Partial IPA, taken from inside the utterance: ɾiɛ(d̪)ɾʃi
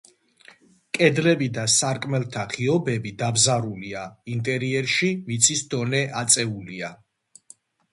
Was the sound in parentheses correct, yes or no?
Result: no